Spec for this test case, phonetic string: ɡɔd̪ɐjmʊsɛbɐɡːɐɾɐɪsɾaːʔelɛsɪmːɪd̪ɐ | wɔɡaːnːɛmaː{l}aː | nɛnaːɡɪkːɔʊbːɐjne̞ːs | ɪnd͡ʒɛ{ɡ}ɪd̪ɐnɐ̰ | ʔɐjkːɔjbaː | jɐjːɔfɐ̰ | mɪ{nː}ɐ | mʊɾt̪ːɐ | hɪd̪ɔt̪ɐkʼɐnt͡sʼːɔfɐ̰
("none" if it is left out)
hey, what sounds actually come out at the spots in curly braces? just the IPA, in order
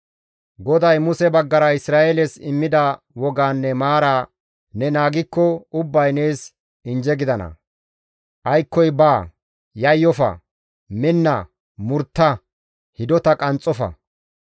ɾ, ɡ, nː

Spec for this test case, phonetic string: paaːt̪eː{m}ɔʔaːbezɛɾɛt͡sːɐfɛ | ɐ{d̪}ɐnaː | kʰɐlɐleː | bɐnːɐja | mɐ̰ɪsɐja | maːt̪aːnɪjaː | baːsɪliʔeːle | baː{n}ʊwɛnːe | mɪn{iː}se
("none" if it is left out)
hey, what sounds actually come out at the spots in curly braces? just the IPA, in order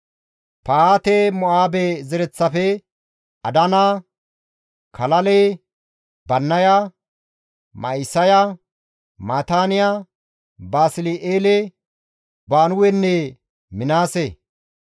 m, d̪, n, aː

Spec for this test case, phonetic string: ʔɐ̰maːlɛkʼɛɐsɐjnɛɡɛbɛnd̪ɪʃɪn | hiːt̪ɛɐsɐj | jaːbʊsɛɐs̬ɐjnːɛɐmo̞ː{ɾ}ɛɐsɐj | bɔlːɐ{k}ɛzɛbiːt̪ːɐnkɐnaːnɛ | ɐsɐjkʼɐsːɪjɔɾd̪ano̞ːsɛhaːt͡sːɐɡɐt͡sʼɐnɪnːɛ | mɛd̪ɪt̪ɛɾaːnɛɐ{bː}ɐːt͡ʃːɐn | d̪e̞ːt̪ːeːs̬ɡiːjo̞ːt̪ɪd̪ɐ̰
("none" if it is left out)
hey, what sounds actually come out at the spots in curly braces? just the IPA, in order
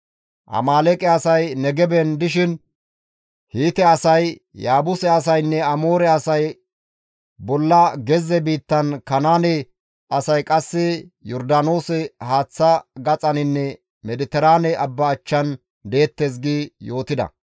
ɾ, ɡ, bː

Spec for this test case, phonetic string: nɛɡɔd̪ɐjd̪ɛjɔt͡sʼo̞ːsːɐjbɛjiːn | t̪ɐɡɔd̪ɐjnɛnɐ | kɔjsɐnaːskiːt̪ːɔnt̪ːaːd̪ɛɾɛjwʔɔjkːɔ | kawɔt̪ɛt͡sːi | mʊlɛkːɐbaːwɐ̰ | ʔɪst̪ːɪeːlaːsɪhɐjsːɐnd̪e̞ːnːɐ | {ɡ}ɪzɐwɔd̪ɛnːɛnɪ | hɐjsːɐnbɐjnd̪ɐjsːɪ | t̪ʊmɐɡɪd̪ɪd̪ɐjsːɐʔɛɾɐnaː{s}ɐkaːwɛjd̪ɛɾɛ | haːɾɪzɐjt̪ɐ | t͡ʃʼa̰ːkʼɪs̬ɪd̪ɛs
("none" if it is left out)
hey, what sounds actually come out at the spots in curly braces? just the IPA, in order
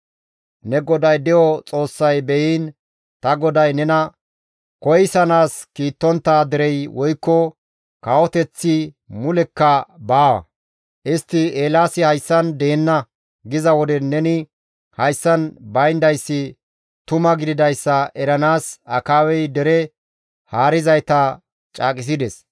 ɡ, s

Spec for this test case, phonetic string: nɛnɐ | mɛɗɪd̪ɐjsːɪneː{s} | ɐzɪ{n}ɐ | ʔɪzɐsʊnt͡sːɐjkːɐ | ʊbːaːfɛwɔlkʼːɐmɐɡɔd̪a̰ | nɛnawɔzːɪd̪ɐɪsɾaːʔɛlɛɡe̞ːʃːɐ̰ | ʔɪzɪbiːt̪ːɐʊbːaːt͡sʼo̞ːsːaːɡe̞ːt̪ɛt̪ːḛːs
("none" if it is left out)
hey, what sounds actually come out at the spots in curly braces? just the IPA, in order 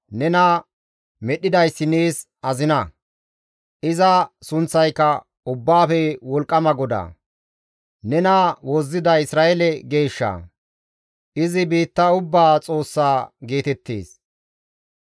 s, n

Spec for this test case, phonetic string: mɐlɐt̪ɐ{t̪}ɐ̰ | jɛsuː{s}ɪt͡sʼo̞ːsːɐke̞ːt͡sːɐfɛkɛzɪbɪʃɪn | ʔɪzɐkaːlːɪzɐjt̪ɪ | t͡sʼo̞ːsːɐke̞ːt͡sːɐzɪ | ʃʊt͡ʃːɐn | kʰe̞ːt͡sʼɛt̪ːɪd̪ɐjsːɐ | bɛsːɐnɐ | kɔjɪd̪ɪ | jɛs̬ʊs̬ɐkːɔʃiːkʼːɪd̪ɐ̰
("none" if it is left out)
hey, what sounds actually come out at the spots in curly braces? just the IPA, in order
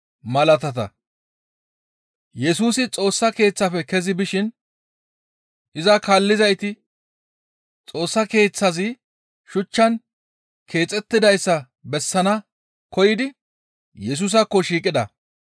t̪, s

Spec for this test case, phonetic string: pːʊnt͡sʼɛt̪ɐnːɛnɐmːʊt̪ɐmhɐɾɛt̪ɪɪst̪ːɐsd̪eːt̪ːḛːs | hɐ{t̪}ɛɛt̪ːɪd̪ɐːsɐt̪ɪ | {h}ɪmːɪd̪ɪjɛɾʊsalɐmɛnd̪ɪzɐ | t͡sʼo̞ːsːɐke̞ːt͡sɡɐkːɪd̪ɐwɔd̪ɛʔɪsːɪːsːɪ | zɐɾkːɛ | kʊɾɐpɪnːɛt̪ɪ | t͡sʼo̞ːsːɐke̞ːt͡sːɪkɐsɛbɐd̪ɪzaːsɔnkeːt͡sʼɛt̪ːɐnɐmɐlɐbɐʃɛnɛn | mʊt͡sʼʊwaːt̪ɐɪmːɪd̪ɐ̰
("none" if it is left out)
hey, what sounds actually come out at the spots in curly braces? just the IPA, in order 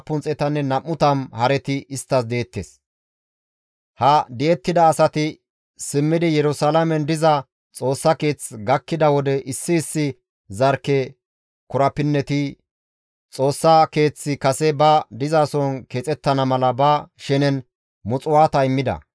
d̪, s

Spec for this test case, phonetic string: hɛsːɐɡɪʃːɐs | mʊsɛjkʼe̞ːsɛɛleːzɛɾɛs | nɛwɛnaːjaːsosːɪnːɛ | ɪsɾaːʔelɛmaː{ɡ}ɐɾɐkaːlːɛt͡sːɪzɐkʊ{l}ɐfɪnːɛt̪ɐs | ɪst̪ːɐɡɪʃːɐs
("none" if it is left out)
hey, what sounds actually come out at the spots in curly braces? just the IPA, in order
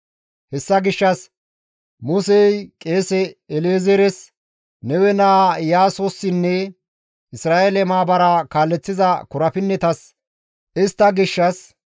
b, ɾ

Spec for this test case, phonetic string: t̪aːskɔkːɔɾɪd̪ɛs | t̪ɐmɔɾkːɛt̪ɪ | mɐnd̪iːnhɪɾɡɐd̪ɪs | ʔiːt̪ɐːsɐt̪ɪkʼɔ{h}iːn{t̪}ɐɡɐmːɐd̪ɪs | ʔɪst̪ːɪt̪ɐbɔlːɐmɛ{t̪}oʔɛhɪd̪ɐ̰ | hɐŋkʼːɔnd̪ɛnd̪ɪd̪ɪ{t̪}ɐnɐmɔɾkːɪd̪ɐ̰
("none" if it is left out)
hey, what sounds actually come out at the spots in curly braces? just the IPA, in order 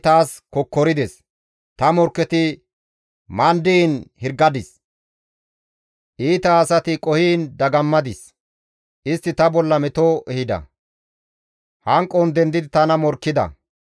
h, d̪, t̪, t̪

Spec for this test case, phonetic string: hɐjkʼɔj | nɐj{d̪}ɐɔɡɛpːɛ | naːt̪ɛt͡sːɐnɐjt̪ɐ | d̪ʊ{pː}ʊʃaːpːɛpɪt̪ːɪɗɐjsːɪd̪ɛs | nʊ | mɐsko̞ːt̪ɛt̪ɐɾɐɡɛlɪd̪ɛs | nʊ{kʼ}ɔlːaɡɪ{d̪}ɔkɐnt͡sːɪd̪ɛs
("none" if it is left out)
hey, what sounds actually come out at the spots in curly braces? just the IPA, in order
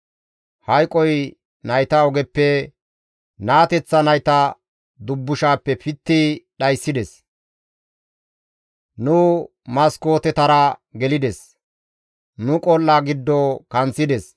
t̪, bː, kʼ, d̪ː

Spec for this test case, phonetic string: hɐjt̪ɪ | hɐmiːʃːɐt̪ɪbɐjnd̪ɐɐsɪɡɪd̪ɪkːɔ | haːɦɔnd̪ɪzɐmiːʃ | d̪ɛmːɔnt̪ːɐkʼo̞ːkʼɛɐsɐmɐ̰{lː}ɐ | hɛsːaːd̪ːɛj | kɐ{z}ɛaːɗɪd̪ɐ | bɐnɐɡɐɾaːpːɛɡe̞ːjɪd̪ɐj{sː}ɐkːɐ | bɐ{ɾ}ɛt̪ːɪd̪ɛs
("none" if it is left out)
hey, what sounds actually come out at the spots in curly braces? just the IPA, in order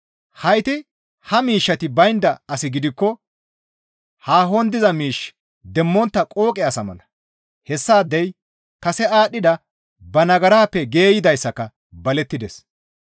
l, s, sː, l

